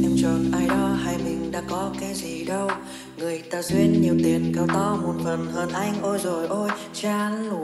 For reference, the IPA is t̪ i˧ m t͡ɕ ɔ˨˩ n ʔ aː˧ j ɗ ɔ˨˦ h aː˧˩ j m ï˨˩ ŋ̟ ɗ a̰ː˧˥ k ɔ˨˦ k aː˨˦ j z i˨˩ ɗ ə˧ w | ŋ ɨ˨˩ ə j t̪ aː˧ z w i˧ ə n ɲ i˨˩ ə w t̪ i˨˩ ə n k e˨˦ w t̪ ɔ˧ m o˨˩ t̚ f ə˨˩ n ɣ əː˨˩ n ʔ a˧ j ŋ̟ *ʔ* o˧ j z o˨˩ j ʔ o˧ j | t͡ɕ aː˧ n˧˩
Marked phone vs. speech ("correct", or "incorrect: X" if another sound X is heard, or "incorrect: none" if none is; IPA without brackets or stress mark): correct